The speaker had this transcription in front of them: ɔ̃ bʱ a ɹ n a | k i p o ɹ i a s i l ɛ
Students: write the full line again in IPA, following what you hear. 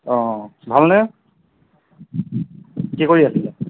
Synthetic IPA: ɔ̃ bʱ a l n ɛ | k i k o ɹ i a s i l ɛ